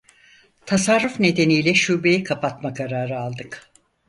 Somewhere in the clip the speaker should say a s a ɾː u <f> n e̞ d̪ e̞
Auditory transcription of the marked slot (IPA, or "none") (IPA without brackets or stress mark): f